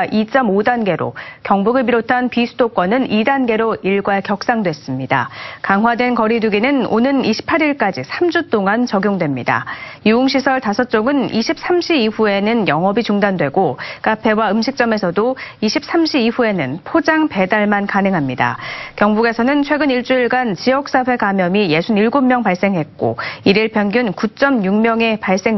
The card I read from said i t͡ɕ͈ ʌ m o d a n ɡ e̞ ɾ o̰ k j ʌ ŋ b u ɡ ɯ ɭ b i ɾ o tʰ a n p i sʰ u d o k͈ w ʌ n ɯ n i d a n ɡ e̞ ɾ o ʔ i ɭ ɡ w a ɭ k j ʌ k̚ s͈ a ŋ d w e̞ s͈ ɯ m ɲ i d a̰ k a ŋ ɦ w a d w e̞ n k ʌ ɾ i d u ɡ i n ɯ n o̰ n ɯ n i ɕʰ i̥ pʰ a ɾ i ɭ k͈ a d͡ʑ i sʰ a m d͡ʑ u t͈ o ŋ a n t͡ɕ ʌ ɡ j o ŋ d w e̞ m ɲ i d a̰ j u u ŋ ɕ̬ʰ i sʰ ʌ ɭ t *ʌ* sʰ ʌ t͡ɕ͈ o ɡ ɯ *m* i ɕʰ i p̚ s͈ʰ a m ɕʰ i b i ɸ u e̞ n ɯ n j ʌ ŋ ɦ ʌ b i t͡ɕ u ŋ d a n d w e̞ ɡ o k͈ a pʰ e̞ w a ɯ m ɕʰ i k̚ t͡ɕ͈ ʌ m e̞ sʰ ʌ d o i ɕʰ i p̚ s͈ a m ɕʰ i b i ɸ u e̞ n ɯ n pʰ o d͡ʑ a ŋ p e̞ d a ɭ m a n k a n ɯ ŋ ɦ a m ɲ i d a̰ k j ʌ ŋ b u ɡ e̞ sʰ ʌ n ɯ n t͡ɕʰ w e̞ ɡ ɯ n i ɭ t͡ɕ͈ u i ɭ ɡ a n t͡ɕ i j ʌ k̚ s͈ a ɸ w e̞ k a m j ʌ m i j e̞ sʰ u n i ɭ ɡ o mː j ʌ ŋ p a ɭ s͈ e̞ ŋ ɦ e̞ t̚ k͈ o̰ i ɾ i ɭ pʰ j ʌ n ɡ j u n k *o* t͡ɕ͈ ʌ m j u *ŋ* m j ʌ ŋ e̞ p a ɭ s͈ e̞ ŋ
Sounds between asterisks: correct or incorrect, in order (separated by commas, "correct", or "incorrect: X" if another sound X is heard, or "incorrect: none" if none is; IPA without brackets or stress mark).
incorrect: a, incorrect: n, incorrect: u, correct